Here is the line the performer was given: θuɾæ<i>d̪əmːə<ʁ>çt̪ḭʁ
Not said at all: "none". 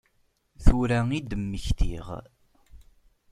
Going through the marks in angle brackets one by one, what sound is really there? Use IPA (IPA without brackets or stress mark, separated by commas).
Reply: i, none